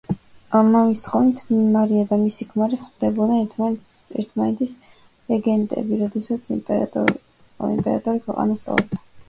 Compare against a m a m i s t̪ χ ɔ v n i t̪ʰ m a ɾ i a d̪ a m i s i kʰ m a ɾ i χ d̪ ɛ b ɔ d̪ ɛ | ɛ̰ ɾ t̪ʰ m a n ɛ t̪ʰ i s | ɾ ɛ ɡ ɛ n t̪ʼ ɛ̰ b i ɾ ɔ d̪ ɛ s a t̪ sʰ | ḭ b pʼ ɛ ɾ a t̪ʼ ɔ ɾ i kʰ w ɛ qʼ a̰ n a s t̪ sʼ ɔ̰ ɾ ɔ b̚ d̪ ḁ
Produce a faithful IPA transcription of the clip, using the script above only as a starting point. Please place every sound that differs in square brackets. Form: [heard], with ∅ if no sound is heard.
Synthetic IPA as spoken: a m a m i s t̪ χ ɔ v n i t̪ʰ m a ɾ i a d̪ a m i s i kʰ m a ɾ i χ d̪ ɛ b ɔ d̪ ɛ | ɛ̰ ɾ t̪ʰ m a n ɛ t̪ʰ i s | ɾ ɛ ɡ ɛ n t̪ʼ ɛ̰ b i ɾ ɔ d̪ ɛ s a t̪ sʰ | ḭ [m] pʼ ɛ ɾ a t̪ʼ ɔ ɾ i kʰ w ɛ qʼ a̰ n a s t̪ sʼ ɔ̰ ɾ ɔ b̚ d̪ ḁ

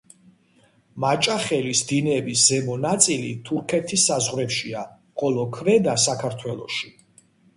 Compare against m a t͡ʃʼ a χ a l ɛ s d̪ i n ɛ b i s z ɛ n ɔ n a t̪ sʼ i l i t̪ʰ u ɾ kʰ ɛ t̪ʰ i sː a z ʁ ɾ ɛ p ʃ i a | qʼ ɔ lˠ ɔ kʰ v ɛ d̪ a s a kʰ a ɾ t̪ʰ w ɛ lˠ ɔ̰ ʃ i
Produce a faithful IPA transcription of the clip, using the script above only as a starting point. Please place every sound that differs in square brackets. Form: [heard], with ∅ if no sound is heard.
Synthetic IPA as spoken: m a t͡ʃʼ a χ [ɛ] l [i] s d̪ i n ɛ b i s z ɛ [m] ɔ n a t̪ sʼ i l i t̪ʰ u ɾ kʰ ɛ t̪ʰ i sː a z ʁ ɾ ɛ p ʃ i a | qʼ ɔ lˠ ɔ kʰ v ɛ d̪ a s a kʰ a ɾ t̪ʰ w ɛ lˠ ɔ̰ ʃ i

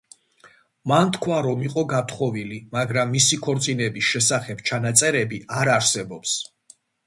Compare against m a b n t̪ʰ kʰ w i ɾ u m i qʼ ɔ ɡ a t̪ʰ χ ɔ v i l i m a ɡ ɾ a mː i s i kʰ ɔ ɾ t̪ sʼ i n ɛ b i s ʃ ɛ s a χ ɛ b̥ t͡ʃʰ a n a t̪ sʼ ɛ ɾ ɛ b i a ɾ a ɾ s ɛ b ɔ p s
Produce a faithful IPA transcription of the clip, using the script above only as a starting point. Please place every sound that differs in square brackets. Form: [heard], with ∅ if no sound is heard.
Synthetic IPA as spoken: m a [∅] n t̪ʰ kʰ w [a] ɾ [ɔ] m i qʼ ɔ ɡ a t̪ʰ χ ɔ v i l i m a ɡ ɾ a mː i s i kʰ ɔ ɾ t̪ sʼ i n ɛ b i s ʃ ɛ s a χ ɛ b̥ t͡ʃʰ a n a t̪ sʼ ɛ ɾ ɛ b i a ɾ a ɾ s ɛ b ɔ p s

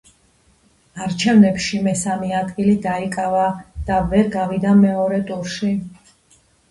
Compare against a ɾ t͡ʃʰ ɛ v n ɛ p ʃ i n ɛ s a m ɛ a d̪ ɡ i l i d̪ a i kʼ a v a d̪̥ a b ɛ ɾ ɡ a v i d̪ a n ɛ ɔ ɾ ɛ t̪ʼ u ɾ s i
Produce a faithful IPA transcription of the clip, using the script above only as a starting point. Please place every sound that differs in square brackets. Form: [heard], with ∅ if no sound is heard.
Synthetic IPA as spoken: a ɾ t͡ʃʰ ɛ v n ɛ p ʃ i [m] ɛ s a m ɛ a d̪ ɡ i l i d̪ a i kʼ a v a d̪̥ a [v] ɛ ɾ ɡ a v i d̪ a [m] ɛ ɔ ɾ ɛ t̪ʼ u ɾ [ʃ] i

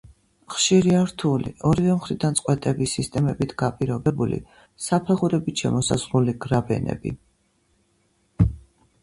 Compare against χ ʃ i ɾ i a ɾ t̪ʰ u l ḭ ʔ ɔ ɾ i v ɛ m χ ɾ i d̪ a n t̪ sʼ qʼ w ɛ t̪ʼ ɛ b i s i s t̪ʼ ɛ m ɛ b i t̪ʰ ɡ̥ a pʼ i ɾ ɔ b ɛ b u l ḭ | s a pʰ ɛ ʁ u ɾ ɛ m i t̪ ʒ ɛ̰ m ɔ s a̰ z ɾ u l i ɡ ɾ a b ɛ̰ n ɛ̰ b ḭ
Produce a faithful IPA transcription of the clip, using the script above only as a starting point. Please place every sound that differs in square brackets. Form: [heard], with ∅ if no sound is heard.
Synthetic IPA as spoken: χ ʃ i ɾ i a ɾ t̪ʰ u l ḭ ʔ ɔ ɾ i v ɛ m χ ɾ i d̪ a n t̪ sʼ qʼ w ɛ t̪ʼ ɛ b i s i s t̪ʼ ɛ m ɛ b i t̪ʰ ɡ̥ a pʼ i ɾ ɔ b ɛ b u l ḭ | s a pʰ ɛ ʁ u ɾ ɛ [b] i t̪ [ʃ] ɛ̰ m ɔ s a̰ z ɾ u l i ɡ ɾ a b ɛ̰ n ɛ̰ b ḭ

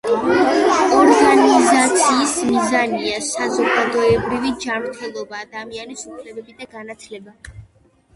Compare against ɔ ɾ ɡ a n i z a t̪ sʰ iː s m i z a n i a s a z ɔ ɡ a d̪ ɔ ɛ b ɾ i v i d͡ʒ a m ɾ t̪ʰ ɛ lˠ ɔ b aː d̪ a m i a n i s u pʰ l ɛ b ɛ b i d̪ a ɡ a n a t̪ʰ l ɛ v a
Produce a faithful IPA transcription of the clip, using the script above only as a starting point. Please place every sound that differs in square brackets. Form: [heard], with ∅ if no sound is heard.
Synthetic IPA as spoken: ɔ ɾ ɡ a n i z a t̪ sʰ iː s m i z a n i a s a z ɔ ɡ a d̪ ɔ ɛ b ɾ i v i d͡ʒ a m ɾ t̪ʰ ɛ lˠ ɔ b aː d̪ a m i a n i s u pʰ l ɛ b ɛ b i d̪ a ɡ a n a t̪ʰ l ɛ [b] a

